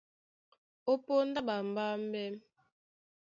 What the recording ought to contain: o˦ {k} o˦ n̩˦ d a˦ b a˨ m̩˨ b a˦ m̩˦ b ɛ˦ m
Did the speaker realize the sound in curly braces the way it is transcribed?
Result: no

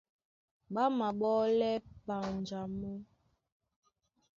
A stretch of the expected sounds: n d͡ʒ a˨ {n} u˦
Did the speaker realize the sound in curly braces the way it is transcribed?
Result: no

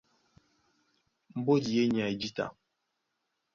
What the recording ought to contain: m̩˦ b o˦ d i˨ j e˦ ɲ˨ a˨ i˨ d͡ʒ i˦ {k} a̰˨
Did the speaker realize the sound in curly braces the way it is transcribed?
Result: no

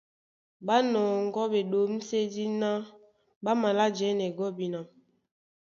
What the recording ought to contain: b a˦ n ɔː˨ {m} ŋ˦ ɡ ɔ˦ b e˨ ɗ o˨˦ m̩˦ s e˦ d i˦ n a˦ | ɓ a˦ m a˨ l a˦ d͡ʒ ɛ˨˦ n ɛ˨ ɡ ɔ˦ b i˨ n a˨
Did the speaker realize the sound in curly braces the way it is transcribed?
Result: no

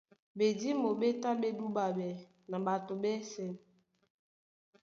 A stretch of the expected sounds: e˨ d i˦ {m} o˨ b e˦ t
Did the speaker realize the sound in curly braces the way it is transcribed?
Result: yes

